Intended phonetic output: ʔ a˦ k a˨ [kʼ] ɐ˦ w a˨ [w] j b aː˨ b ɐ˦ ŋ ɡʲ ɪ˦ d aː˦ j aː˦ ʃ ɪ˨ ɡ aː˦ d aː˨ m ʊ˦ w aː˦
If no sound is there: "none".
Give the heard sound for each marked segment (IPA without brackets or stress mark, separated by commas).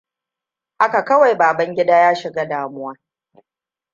k, none